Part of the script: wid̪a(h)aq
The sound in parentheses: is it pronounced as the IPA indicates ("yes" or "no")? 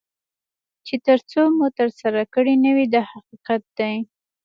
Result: yes